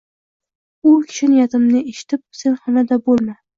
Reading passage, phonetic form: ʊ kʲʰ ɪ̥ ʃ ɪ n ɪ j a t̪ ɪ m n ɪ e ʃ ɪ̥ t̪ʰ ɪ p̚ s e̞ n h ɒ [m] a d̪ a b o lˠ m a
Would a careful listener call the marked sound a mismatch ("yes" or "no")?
yes